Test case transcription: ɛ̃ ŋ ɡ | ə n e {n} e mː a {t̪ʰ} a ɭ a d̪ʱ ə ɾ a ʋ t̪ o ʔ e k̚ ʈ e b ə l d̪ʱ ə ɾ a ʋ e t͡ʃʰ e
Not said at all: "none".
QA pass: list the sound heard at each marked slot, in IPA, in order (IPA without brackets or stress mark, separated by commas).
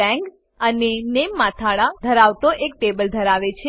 n, t̪ʰ